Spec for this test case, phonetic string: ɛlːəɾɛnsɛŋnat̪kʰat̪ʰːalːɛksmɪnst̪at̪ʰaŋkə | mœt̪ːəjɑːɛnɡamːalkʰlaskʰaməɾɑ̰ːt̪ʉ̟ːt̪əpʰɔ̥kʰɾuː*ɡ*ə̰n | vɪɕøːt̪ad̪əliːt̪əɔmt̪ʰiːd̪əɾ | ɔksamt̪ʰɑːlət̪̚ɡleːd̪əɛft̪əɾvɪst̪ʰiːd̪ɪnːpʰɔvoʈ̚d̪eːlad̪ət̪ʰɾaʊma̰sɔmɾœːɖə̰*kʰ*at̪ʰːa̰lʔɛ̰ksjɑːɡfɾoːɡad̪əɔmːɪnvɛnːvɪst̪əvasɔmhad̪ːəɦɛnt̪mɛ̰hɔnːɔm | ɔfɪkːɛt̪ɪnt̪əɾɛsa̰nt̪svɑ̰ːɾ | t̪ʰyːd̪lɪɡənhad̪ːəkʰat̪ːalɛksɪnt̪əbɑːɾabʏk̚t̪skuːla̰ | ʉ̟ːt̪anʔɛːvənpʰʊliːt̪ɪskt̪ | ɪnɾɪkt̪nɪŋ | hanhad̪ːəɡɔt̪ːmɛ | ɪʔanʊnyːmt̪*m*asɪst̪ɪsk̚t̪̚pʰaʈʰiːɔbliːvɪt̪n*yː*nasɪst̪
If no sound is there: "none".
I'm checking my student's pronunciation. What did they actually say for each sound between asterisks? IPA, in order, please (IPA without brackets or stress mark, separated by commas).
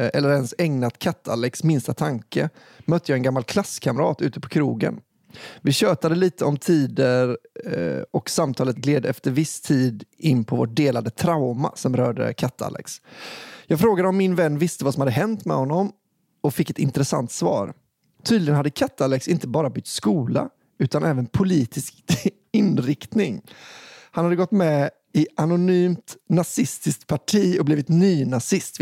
ɡ, kʰ, n, yː